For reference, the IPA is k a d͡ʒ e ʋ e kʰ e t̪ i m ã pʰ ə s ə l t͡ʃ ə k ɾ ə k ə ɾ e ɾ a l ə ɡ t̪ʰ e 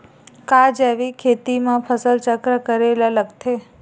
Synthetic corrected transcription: k a d͡ʒ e ʋ i kʰ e t̪ i m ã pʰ ə s ə l t͡ʃ ə k ɾ ə k ə ɾ e l a l ə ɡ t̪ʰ e

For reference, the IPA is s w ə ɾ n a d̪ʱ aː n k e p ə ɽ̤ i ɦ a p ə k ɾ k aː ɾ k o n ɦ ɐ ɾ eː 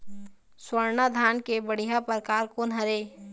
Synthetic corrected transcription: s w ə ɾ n a d̪ʱ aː n k e b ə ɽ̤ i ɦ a p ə ɾ k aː ɾ k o n ɦ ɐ ɾ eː

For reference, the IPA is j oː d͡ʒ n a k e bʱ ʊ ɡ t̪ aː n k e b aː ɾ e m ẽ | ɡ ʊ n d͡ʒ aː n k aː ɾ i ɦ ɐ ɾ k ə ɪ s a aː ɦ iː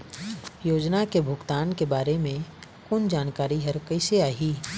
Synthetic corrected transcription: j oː d͡ʒ n a k e bʱ ʊ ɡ t̪ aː n k e b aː ɾ e m ẽ | k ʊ n d͡ʒ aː n k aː ɾ i ɦ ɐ ɾ k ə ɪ s e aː ɦ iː

